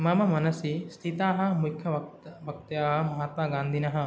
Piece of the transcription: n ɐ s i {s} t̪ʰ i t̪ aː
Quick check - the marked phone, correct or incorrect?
correct